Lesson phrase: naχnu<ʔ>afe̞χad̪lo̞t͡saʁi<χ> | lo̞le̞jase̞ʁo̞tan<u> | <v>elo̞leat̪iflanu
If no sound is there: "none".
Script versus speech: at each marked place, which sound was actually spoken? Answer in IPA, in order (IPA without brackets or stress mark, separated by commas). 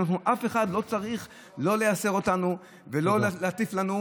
ʔ, χ, u, v